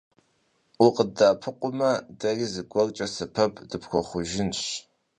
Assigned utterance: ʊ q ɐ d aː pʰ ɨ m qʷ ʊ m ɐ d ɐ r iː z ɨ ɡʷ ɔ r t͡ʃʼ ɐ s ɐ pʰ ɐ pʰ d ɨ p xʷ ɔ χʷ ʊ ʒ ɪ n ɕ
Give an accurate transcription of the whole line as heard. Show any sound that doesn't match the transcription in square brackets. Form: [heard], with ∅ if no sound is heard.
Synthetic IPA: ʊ q [ə] d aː pʰ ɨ [∅] qʷ ʊ m ɐ d ɐ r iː z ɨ ɡʷ ɔ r t͡ʃʼ ɐ s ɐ pʰ ɐ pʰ d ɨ p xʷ ɔ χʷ ʊ ʒ ɪ n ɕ